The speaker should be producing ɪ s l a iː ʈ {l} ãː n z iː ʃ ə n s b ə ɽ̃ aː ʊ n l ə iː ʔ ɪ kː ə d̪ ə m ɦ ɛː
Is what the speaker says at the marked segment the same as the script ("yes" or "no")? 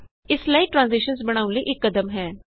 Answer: no